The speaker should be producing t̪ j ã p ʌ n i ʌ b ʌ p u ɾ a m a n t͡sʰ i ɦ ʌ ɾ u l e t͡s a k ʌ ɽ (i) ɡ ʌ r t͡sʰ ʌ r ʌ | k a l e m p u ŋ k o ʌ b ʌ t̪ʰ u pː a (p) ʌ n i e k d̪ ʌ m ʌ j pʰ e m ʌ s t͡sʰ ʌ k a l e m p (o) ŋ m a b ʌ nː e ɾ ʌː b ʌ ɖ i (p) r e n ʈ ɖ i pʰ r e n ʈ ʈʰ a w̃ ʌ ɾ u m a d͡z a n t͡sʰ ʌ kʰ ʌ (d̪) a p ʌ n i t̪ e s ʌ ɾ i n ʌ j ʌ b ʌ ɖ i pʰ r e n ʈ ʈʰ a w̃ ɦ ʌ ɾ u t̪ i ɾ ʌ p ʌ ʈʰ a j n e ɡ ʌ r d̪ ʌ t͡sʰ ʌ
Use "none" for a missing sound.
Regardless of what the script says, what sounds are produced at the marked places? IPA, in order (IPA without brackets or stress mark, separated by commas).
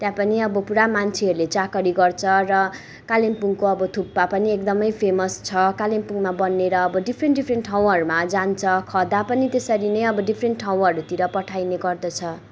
i, p, u, pʰ, d̪